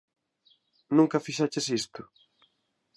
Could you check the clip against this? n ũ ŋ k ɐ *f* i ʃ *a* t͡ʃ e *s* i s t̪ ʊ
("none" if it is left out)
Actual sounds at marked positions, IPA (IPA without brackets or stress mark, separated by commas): f, a, s